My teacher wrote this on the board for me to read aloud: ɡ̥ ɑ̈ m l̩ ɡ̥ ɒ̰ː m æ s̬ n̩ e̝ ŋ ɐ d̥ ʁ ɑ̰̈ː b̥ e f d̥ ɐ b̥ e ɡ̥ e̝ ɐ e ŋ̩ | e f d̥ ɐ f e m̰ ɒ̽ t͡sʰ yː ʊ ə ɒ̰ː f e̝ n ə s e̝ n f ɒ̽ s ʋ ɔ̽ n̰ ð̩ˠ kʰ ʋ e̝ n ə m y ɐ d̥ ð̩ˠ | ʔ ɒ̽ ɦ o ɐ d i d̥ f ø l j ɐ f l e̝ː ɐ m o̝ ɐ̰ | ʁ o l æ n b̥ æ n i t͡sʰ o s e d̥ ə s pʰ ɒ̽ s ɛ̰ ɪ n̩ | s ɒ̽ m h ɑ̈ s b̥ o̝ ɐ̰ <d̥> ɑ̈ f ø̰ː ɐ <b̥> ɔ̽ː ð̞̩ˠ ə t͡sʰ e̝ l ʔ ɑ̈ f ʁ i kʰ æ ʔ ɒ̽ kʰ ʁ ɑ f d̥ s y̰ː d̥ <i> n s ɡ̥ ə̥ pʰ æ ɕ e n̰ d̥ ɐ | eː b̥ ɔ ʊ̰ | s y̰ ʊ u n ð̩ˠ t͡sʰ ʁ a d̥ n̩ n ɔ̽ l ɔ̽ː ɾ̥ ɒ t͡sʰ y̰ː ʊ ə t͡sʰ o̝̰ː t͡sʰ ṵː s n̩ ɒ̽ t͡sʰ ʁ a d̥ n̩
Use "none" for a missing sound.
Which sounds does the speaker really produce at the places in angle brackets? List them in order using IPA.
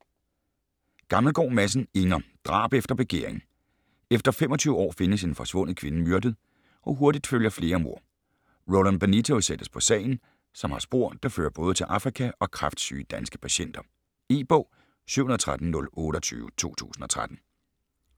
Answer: d̥, b̥, æ

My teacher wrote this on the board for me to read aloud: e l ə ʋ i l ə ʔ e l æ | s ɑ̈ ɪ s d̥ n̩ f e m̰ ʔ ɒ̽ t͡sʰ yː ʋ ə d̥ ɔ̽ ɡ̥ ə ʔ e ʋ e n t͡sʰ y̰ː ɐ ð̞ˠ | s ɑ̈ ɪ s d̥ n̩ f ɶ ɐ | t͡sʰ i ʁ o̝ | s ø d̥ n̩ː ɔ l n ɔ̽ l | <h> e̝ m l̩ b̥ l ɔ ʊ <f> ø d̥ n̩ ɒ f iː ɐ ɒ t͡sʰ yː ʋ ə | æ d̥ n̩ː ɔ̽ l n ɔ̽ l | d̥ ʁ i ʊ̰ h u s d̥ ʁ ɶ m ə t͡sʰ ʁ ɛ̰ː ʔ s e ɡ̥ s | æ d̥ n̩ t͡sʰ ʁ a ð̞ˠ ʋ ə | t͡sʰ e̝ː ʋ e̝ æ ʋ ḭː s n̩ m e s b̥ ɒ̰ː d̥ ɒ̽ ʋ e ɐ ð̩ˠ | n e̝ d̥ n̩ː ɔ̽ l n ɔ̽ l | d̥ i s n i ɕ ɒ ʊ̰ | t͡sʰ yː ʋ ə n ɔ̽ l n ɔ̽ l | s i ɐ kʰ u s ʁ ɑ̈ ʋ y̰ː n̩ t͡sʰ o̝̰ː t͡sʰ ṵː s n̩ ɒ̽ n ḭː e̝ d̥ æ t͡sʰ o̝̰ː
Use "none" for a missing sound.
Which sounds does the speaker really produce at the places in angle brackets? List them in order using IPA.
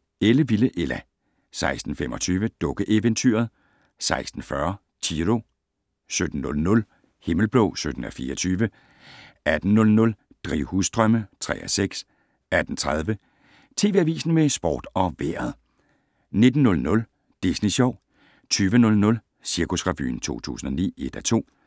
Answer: h, s

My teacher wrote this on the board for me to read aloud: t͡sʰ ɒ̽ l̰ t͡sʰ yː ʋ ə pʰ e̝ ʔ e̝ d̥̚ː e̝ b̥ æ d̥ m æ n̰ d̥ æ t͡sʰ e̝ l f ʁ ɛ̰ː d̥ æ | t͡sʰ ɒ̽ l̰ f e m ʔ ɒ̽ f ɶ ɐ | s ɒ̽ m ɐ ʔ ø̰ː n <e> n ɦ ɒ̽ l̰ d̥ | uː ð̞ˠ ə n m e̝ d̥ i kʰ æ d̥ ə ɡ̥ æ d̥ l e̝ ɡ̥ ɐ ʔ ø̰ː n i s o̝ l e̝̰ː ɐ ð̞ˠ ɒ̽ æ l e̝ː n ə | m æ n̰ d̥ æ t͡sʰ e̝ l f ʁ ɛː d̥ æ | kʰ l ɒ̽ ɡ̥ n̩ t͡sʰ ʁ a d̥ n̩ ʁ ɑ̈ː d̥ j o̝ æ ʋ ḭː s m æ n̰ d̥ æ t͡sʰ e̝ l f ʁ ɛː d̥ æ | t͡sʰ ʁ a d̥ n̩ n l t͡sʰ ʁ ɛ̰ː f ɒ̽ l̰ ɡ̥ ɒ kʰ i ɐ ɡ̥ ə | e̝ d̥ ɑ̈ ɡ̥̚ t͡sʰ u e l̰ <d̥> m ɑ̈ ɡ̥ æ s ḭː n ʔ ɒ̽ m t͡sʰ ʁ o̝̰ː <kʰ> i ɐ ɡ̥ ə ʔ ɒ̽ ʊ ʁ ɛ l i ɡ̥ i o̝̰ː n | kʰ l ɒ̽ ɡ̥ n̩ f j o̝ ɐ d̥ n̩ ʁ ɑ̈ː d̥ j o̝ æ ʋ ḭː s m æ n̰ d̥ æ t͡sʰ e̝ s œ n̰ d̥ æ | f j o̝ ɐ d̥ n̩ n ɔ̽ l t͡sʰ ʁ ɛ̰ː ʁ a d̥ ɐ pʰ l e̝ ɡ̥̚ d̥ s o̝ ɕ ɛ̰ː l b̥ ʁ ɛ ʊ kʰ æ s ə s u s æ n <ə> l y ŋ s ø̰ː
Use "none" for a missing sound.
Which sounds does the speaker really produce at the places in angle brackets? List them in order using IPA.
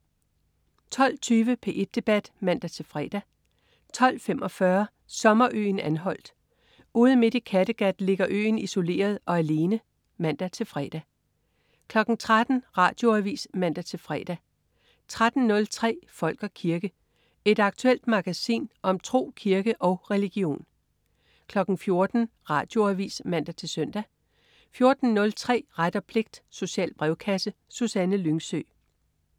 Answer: æ, d̥, kʰ, ə

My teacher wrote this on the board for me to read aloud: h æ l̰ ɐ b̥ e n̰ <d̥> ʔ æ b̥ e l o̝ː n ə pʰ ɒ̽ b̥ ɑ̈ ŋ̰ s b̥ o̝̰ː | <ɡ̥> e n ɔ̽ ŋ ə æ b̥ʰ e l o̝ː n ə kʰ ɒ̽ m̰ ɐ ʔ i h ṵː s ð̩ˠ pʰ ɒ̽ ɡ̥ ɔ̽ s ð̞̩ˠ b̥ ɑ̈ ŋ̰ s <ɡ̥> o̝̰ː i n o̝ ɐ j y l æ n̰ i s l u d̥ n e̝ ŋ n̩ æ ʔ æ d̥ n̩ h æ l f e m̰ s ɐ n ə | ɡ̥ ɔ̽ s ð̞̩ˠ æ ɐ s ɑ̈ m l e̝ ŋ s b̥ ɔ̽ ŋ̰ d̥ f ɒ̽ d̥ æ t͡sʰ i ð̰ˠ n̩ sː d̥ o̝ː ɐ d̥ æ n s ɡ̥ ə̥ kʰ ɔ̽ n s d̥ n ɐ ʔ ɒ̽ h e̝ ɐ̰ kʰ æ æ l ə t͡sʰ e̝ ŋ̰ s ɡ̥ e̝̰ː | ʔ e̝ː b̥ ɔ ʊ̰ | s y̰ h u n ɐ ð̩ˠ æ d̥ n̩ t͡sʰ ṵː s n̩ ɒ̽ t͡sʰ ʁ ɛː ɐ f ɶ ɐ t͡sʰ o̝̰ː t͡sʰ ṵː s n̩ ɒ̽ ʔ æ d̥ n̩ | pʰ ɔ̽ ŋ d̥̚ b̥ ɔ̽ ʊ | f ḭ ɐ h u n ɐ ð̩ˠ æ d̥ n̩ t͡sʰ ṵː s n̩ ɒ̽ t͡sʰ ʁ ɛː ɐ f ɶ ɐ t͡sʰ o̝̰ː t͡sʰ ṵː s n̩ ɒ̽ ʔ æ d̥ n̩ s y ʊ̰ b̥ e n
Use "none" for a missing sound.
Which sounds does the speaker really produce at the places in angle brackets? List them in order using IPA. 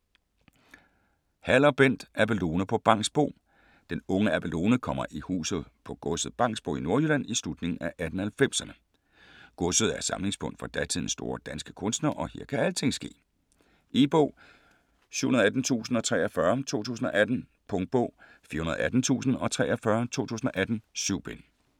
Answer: d̥, d̥, b̥

